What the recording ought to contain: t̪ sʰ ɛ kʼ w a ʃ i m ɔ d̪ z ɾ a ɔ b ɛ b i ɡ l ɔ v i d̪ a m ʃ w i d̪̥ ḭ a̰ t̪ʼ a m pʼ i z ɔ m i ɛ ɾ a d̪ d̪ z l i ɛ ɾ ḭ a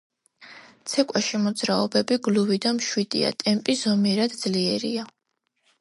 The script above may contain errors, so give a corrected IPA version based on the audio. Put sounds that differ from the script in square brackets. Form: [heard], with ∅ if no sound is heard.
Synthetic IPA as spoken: t̪ sʰ ɛ kʼ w a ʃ i m ɔ d̪ z ɾ a ɔ b ɛ b i ɡ l [u] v i d̪ a m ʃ w i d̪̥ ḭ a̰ t̪ʼ [ɛ] m pʼ i z ɔ m i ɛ ɾ a d̪ d̪ z l i ɛ ɾ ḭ a